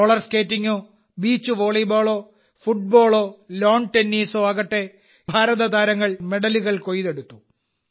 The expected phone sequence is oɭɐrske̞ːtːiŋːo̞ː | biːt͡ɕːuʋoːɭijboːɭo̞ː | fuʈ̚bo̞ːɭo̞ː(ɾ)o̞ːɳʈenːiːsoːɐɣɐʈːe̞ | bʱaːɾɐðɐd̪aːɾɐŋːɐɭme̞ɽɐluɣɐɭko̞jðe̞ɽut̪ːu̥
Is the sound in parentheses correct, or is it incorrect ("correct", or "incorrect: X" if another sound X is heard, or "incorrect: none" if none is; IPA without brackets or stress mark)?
incorrect: l